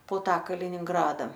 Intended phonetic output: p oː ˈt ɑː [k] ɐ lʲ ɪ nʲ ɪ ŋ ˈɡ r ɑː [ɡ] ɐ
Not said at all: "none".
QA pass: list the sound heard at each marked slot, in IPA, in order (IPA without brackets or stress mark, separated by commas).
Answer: k, d